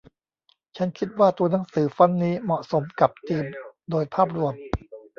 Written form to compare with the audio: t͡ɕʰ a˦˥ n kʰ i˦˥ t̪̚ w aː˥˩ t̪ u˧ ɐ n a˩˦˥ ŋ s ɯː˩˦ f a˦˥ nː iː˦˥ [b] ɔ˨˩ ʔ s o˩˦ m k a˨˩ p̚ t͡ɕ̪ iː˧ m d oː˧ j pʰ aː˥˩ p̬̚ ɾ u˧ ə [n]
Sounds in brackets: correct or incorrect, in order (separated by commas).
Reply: incorrect, incorrect